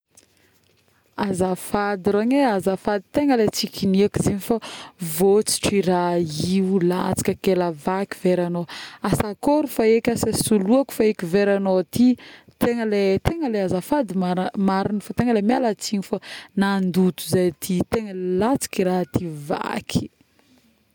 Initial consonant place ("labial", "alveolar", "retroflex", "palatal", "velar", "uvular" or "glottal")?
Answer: alveolar